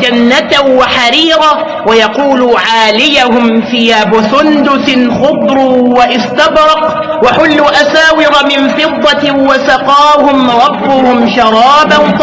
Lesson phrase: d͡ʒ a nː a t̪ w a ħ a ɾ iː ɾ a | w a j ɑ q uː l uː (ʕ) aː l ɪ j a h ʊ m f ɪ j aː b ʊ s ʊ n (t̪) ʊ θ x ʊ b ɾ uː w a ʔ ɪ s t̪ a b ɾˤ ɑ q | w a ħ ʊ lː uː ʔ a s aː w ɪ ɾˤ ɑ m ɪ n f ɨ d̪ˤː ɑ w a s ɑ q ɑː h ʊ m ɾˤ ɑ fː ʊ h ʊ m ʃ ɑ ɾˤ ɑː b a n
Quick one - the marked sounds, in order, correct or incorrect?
correct, incorrect: d̪

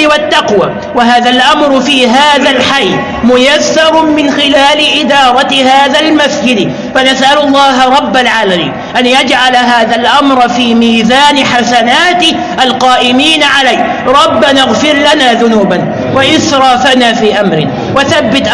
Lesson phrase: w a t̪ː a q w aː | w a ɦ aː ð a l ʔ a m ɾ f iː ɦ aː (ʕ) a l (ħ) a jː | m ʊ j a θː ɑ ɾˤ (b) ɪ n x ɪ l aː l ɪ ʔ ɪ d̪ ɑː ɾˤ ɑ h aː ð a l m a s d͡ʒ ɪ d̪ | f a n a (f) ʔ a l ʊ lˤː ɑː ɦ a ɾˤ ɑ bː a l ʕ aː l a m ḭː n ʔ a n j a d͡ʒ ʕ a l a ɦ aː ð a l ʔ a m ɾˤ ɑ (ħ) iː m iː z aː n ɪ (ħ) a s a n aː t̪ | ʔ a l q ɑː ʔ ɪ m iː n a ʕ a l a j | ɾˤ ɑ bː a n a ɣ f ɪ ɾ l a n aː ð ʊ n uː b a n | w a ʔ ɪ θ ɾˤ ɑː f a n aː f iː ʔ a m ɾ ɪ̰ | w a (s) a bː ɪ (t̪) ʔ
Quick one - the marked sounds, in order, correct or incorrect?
incorrect: ð, correct, incorrect: m, incorrect: s, incorrect: f, correct, incorrect: θ, correct

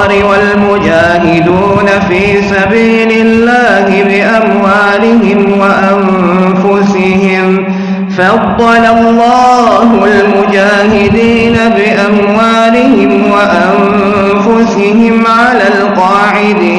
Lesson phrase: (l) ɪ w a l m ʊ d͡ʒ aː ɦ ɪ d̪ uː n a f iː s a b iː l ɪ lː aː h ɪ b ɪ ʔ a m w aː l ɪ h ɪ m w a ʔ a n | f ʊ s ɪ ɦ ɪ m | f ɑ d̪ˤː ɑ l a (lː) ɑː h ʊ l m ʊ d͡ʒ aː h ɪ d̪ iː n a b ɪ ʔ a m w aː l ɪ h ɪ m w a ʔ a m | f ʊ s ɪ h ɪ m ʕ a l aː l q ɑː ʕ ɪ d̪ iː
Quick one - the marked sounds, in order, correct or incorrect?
incorrect: ɾ, correct

